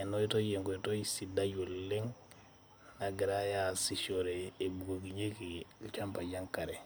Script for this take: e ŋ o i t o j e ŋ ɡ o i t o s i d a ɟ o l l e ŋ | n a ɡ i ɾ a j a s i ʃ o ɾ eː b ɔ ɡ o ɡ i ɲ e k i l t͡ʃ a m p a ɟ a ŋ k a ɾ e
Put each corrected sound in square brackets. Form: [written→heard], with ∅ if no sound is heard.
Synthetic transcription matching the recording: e [ŋ→n] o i t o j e ŋ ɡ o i t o s i d a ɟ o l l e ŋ | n a ɡ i ɾ a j a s i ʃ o ɾ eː b [ɔ→u] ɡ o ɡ i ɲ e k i l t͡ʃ a m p a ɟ a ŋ k a ɾ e